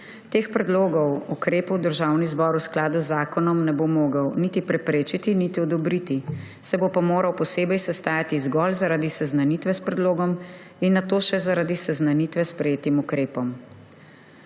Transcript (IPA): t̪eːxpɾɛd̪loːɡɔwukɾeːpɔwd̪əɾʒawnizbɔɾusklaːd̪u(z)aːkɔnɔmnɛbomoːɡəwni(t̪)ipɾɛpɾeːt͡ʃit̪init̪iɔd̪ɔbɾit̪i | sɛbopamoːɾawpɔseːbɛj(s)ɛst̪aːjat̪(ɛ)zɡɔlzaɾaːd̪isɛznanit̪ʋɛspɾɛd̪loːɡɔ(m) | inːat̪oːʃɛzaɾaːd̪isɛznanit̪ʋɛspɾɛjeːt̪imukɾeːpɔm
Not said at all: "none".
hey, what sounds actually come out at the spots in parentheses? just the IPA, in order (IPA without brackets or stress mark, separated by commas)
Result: zː, t̪, s, i, m